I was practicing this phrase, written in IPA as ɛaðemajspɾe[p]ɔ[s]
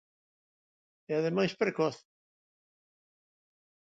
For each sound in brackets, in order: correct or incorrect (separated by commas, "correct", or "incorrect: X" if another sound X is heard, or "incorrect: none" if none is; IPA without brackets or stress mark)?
incorrect: k, incorrect: θ